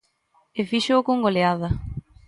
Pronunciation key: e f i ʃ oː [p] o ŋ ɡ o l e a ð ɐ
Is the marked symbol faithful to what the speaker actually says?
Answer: no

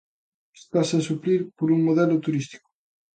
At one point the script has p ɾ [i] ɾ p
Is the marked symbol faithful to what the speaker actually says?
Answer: yes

